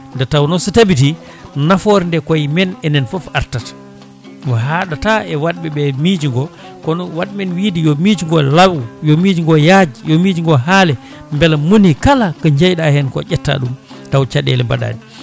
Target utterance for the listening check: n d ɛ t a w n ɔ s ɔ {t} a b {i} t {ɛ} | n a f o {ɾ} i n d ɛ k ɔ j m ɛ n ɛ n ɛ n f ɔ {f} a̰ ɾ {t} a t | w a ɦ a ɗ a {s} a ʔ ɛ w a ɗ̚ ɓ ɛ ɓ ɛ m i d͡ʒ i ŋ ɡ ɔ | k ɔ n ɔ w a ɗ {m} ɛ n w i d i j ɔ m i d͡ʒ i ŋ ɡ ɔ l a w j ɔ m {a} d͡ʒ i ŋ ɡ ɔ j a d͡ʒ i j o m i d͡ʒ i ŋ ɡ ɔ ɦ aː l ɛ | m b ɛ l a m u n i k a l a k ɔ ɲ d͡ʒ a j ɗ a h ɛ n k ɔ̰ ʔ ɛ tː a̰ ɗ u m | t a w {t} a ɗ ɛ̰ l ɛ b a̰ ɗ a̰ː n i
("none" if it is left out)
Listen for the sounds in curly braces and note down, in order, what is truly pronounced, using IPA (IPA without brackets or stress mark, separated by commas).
t, i, i, ɾ, f, t, t, m, i, t͡ʃ